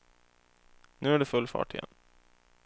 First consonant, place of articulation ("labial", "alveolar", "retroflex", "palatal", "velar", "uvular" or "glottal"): alveolar